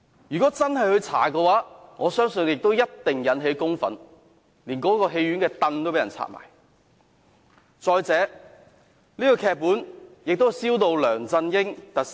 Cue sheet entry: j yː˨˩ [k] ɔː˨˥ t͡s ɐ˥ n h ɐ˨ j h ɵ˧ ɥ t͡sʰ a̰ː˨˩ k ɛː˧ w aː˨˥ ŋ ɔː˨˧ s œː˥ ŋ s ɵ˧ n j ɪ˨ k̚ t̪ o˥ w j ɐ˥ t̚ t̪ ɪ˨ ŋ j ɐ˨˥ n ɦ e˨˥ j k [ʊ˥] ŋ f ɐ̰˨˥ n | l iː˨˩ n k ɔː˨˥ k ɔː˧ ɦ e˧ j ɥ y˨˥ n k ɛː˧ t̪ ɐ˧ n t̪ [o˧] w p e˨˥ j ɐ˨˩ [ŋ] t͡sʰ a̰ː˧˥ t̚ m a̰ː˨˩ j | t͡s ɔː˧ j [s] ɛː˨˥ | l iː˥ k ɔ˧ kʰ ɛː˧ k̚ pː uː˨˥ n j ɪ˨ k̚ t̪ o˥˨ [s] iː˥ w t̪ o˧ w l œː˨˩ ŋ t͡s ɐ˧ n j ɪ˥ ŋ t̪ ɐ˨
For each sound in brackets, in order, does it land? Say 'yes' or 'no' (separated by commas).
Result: yes, yes, no, no, no, yes